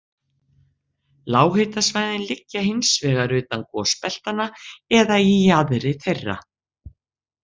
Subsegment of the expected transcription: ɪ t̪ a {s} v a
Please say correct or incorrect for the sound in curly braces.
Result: correct